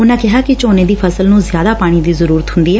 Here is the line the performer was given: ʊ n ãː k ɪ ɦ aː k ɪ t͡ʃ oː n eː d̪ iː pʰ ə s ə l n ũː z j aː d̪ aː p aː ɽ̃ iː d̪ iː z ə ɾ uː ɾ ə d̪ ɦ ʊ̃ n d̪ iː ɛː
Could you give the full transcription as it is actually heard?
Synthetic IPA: ʊ n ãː k ɪ ɦ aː k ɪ t͡ʃ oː n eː d̪ iː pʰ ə s ə l n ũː z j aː d̪ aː p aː ɽ̃ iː d̪ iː z ə ɾ uː ɾ ə t̪ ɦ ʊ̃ n d̪ iː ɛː

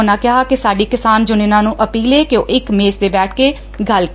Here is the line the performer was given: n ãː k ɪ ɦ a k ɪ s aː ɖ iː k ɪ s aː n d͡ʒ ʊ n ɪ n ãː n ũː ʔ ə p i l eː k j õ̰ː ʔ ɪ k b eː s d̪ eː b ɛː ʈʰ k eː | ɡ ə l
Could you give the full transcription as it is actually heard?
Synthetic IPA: n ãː k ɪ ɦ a k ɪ s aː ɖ iː k ɪ s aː n d͡ʒ ʊ n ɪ n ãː n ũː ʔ ə p iː l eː k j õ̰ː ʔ ɪ k m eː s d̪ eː b ɛː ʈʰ k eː | ɡ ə l

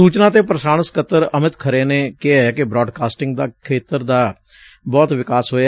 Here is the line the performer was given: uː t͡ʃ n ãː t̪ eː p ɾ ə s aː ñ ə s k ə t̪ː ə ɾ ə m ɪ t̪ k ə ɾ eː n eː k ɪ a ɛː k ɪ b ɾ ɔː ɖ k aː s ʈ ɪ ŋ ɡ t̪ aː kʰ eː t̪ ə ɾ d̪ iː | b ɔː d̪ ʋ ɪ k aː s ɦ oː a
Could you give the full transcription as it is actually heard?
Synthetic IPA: uː t͡ʃ n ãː t̪ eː p ɾ ə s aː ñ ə s k ə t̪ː ə ɾ ə m ɪ t̪ kʰ ə ɾ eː n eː k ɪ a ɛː k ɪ b ɾ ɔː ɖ k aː s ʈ ɪ ŋ ɡ d̪ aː kʰ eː t̪ ə ɾ d̪ aː | b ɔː t̪ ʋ ɪ k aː s ɦ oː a

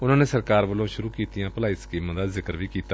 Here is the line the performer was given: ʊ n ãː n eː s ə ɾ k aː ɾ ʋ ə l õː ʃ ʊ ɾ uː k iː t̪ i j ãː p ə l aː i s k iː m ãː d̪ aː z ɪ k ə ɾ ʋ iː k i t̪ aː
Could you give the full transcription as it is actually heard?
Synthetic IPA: ʊ n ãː n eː s ə ɾ k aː ɾ ʋ ə l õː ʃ ʊ ɾ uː k iː t̪ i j ãː p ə l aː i s k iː m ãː d̪ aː z ɪ k ə ɾ ʋ iː k iː t̪ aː

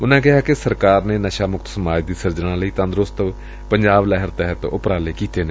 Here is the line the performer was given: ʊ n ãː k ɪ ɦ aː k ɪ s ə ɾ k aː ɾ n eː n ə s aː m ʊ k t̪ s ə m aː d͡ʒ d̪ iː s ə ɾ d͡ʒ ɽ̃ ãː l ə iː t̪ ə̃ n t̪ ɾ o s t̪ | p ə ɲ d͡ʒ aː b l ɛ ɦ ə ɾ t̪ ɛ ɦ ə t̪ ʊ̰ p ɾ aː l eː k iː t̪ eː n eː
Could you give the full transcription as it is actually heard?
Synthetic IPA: ʊ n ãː k ɪ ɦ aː k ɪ s ə ɾ k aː ɾ n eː n ə ʃ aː m ʊ k t̪ s ə m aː d͡ʒ d̪ iː s ə ɾ d͡ʒ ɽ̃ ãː l ə iː t̪ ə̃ n d̪ ɾ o s t̪ | p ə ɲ d͡ʒ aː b l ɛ ɦ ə ɾ t̪ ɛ ɦ ə t̪ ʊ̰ p ɾ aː l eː k iː t̪ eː n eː

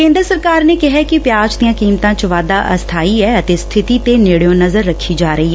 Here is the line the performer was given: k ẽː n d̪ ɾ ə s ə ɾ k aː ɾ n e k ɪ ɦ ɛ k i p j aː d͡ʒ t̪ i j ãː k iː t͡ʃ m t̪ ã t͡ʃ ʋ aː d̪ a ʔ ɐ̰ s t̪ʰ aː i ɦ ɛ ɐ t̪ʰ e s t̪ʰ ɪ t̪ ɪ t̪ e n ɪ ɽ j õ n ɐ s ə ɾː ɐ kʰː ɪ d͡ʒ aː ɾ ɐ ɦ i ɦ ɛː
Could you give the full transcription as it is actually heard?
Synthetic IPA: k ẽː n d̪ ɾ ə s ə ɾ k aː ɾ n e k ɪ ɦ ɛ k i p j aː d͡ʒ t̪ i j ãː k iː m t̪ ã t͡ʃ ʋ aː d̪ a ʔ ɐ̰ s t̪ʰ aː i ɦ ɛ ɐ t̪ e s t̪ʰ ɪ t̪ i t̪ e n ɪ ɽ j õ n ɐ z ə ɾː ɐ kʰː i d͡ʒ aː ɾ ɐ ɦ i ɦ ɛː

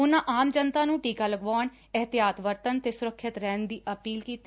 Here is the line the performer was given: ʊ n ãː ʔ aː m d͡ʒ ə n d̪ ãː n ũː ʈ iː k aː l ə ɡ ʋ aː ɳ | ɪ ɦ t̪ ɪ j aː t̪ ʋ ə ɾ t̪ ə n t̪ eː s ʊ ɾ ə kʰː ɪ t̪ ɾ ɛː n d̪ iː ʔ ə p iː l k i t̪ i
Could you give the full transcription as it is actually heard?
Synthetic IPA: ʊ n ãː ʔ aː m d͡ʒ ə n t̪ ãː n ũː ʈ iː k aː l ə ɡ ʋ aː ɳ | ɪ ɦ t̪ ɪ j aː t̪ ʋ ə ɾ t̪ ə n t̪ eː s ʊ ɾ ə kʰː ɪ t̪ ɾ ɛː n d̪ iː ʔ ə p iː l k iː t̪ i

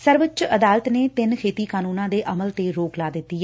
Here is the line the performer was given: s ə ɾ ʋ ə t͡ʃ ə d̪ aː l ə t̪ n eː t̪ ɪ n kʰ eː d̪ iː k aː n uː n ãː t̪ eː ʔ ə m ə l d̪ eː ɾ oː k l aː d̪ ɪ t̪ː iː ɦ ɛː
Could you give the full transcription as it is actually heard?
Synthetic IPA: s ə ɾ ʋ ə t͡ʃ ə d̪ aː l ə t̪ n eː t̪ ɪ n kʰ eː t̪ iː k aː n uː n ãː d̪ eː ʔ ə m ə l t̪ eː ɾ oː k l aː d̪ ɪ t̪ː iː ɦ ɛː

